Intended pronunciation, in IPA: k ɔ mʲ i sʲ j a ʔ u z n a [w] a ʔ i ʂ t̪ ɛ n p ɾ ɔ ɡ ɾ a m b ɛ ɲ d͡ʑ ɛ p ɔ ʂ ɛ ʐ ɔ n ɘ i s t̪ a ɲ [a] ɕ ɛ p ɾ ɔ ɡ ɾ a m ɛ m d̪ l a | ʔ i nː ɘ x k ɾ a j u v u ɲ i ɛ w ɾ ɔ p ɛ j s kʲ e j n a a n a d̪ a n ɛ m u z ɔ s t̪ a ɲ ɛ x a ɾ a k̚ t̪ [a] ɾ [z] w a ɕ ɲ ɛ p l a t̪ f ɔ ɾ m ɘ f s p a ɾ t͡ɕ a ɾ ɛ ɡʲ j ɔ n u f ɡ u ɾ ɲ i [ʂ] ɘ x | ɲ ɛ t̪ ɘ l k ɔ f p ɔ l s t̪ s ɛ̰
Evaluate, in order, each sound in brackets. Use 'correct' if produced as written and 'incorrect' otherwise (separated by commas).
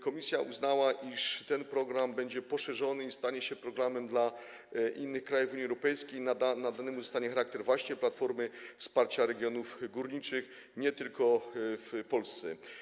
correct, incorrect, incorrect, incorrect, incorrect